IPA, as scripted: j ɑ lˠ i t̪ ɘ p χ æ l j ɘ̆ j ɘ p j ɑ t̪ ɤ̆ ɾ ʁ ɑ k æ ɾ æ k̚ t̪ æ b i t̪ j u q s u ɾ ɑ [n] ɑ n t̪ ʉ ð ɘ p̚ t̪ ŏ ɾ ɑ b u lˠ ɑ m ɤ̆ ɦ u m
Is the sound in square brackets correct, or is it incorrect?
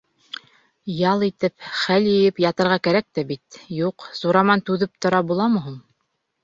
incorrect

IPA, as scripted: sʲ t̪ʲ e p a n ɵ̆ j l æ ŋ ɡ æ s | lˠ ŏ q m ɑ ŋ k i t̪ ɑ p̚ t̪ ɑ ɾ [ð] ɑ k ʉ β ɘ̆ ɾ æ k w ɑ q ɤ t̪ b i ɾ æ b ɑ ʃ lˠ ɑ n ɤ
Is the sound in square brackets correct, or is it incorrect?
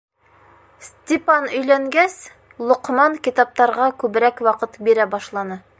incorrect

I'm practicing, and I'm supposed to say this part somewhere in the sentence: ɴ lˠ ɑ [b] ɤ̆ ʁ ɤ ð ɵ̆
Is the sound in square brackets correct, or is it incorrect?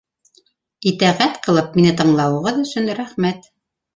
incorrect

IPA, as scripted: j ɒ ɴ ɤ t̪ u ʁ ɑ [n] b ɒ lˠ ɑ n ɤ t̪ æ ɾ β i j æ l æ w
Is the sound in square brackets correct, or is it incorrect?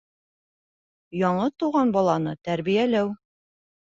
correct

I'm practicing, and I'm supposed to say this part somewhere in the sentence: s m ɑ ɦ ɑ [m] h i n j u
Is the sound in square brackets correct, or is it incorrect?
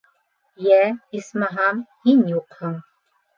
correct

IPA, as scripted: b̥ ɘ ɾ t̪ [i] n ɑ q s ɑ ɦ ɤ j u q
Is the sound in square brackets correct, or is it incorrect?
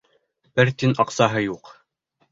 correct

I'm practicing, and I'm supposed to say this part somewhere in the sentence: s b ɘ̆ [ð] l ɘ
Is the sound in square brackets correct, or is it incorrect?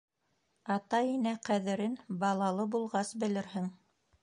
incorrect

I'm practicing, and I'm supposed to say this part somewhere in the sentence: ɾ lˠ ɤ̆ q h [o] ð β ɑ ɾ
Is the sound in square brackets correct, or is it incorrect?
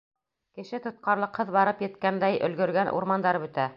incorrect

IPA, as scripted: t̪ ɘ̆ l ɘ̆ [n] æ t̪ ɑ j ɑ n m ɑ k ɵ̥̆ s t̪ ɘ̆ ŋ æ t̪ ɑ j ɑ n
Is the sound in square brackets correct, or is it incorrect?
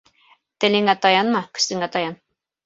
incorrect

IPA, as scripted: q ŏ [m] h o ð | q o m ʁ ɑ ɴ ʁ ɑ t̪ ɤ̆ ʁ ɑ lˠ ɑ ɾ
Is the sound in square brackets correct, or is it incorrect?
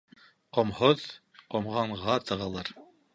correct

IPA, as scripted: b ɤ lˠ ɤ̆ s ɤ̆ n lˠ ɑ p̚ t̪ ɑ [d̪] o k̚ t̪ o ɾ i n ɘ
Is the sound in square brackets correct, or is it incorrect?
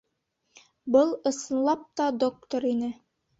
correct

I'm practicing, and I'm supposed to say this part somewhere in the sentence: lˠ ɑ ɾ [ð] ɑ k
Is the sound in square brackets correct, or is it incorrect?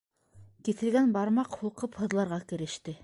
incorrect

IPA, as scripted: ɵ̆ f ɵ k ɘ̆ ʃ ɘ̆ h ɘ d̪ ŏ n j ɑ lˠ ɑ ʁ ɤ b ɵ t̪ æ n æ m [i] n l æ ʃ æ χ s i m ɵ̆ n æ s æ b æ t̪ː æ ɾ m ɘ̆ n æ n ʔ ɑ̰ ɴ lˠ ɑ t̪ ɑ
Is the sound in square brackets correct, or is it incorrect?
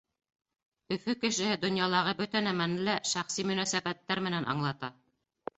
incorrect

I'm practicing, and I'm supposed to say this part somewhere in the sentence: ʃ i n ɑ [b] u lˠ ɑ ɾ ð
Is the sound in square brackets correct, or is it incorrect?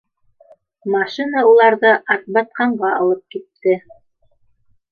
incorrect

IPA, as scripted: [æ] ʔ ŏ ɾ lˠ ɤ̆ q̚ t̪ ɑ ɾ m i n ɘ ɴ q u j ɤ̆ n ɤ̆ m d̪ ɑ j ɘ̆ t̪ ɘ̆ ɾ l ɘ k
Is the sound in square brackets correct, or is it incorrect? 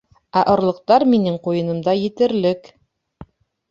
correct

